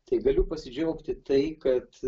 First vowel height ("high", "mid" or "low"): low